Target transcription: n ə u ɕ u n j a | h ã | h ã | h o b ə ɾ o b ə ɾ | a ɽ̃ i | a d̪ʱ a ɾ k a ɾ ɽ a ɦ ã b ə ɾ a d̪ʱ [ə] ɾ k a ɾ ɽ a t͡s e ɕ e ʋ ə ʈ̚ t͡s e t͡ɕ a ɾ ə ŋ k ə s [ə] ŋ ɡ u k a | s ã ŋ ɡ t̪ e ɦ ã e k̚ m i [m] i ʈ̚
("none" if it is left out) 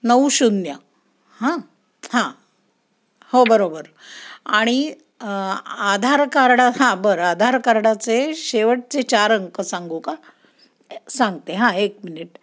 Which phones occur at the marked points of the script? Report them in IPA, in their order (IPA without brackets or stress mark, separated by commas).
a, a, n